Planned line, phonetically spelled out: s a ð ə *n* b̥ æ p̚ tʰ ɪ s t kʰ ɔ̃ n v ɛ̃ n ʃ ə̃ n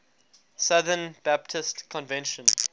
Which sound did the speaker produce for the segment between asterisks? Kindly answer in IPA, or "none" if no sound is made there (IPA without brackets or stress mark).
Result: n